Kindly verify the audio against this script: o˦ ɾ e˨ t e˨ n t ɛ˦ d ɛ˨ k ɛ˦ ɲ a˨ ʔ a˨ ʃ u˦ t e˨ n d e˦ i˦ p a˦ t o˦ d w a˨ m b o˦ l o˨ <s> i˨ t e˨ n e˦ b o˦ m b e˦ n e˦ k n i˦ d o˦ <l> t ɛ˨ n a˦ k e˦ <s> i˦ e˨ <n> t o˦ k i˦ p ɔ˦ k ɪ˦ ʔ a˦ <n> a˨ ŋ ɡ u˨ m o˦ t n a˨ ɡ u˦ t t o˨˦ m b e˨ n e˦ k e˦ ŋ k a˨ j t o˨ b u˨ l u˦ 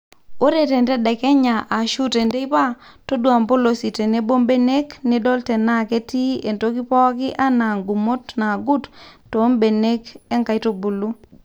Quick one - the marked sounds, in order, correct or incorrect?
correct, correct, incorrect: t, correct, correct

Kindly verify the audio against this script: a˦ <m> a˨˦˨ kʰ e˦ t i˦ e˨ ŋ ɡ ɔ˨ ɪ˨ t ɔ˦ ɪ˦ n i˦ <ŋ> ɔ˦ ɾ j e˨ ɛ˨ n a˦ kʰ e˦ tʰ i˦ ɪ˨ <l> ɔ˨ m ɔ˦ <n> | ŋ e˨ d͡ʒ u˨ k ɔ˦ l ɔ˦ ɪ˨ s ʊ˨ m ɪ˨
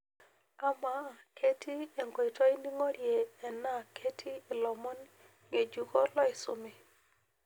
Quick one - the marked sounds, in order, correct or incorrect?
correct, correct, correct, correct

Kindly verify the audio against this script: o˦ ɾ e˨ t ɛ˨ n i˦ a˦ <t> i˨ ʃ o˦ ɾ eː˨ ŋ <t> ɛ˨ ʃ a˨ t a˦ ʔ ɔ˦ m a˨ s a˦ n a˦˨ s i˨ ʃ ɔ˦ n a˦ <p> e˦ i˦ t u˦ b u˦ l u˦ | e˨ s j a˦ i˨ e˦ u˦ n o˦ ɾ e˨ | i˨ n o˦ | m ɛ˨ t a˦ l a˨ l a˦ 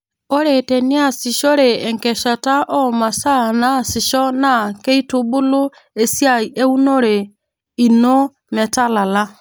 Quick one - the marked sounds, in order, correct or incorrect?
incorrect: s, incorrect: k, incorrect: k

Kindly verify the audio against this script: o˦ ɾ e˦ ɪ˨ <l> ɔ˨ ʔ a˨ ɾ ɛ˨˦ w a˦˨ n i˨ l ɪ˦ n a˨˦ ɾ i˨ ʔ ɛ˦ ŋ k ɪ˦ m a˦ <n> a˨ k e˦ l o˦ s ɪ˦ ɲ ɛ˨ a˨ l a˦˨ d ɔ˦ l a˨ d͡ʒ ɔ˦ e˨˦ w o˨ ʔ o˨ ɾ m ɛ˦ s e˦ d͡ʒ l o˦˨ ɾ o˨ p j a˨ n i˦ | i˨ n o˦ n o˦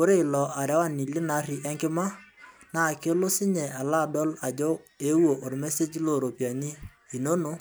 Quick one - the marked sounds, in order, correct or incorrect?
correct, correct

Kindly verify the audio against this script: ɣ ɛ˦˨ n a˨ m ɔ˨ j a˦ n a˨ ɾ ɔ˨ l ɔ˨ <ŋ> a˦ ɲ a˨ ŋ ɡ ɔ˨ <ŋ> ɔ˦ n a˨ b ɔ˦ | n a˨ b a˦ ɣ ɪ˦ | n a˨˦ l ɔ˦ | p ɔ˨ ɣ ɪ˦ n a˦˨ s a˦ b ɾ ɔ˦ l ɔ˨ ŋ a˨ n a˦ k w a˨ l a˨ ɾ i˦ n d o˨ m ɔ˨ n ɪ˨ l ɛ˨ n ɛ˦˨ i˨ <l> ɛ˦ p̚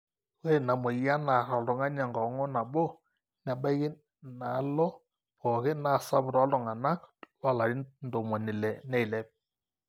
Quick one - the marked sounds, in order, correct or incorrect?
correct, correct, correct

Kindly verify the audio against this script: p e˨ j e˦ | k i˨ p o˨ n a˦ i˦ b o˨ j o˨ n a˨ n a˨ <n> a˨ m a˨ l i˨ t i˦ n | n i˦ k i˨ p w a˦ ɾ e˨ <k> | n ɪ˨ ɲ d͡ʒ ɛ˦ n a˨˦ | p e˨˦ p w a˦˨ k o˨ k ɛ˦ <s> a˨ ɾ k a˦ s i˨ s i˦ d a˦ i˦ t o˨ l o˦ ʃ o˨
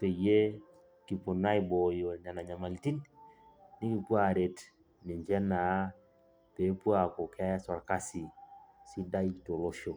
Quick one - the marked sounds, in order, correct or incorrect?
incorrect: ɲ, incorrect: t, correct

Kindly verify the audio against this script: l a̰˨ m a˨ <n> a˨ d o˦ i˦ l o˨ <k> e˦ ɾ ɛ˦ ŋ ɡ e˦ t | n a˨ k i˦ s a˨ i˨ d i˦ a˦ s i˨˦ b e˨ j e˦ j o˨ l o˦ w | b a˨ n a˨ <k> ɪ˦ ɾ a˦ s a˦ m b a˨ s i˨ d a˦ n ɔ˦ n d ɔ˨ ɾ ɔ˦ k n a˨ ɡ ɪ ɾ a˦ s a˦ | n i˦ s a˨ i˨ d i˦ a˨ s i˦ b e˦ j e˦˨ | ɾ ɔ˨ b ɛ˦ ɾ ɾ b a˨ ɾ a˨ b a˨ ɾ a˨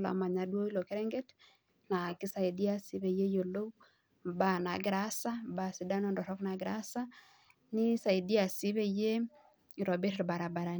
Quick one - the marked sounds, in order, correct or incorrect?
incorrect: ɲ, correct, incorrect: ɡ

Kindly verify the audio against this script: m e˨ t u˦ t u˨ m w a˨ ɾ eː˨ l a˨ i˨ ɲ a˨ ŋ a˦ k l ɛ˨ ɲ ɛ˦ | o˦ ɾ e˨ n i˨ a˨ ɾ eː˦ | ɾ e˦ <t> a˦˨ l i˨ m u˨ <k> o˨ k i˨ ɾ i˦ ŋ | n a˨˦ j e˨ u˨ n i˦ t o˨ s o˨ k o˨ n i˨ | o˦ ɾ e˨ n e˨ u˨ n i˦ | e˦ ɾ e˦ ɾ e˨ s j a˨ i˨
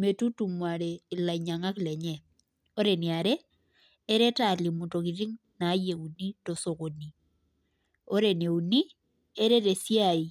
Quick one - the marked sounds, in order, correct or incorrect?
correct, incorrect: t

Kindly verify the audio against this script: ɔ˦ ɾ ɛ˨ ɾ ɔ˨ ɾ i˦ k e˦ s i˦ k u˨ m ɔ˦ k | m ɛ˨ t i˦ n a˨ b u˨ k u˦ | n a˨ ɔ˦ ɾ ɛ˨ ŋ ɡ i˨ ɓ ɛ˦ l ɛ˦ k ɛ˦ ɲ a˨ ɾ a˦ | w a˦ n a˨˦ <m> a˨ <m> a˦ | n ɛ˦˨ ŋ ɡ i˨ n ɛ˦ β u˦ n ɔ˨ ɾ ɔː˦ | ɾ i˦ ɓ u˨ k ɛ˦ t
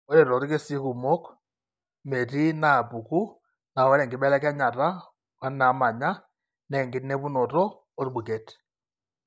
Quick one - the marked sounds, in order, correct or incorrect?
correct, incorrect: ɲ

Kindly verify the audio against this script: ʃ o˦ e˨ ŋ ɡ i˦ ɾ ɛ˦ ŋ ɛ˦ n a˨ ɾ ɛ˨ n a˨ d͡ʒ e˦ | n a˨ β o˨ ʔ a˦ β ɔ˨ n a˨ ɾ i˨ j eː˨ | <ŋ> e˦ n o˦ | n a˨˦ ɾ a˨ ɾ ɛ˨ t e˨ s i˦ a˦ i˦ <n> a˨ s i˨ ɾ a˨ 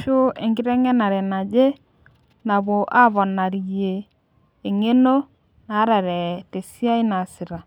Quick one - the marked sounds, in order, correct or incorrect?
correct, correct

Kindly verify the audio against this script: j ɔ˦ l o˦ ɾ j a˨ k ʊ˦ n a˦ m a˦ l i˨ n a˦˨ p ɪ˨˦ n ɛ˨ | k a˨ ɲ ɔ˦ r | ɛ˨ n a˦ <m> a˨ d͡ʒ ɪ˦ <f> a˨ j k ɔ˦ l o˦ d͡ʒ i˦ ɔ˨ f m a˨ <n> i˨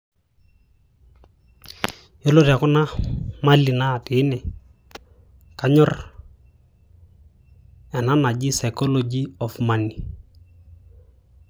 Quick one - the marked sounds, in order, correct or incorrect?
incorrect: n, incorrect: s, correct

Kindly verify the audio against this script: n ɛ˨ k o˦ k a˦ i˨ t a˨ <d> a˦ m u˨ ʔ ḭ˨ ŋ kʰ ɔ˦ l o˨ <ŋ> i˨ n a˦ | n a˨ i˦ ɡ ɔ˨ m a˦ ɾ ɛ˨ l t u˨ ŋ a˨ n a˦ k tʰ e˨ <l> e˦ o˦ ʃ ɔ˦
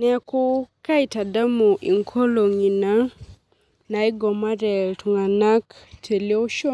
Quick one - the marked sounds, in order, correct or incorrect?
correct, correct, correct

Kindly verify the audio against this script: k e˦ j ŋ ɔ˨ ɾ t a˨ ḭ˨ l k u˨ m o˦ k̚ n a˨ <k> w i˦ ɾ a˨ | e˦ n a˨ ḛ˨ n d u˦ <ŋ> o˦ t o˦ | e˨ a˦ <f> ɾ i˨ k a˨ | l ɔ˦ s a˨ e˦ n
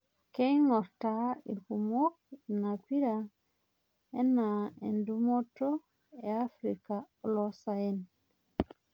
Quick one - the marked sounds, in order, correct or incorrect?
correct, incorrect: m, correct

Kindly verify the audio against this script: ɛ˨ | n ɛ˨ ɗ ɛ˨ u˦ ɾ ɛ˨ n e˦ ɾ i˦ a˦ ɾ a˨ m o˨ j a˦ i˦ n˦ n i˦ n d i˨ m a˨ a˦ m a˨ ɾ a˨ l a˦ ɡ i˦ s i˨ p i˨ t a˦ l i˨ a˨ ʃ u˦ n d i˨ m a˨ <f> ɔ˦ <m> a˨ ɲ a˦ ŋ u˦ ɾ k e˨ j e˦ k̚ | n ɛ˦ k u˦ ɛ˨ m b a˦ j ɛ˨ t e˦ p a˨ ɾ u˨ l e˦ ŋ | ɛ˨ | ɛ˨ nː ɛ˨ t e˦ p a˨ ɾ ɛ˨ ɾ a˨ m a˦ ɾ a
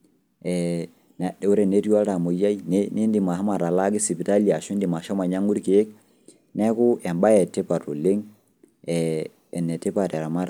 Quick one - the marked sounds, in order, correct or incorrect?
incorrect: ʃ, correct

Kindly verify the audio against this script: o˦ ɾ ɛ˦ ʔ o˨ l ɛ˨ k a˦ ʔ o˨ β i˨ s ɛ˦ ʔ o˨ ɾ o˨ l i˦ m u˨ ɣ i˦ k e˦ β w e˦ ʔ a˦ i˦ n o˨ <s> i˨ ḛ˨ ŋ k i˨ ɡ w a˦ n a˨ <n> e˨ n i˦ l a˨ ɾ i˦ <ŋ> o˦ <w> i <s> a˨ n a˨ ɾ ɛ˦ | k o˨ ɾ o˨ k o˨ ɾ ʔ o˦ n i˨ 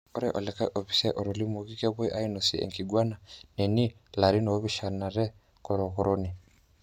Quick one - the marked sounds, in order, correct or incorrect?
correct, correct, incorrect: n, incorrect: β, incorrect: ʃ

